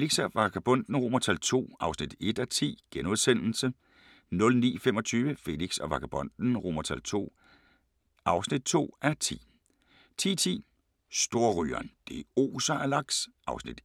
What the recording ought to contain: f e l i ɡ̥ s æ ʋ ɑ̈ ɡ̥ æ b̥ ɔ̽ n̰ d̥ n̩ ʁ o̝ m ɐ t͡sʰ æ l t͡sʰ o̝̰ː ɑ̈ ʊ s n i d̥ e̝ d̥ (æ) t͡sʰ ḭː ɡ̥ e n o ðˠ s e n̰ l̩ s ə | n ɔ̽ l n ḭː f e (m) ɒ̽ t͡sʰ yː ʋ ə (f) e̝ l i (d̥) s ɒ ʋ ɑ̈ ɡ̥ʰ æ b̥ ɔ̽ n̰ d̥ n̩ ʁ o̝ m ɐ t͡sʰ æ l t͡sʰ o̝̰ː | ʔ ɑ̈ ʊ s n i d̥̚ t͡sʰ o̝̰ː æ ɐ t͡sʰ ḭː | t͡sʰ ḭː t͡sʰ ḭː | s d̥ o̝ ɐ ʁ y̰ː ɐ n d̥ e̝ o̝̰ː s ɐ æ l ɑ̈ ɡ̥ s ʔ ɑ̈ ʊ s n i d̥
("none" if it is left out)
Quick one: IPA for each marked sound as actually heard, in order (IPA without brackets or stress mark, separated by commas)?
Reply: æ, m, f, ɡ̥